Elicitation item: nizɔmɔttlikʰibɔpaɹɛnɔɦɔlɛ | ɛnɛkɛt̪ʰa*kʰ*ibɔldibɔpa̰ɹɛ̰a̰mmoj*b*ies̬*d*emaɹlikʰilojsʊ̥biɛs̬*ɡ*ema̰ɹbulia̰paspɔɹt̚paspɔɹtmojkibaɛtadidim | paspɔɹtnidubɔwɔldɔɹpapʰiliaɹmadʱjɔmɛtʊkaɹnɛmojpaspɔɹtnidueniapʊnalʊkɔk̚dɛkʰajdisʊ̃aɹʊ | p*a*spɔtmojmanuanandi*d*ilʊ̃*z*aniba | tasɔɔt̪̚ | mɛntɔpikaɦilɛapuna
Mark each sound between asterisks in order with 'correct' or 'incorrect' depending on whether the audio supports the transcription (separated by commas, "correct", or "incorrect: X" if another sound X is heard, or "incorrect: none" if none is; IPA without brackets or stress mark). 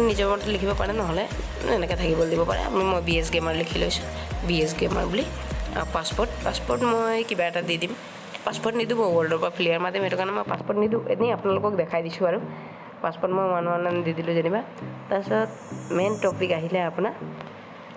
incorrect: k, correct, incorrect: ɡ, correct, correct, correct, correct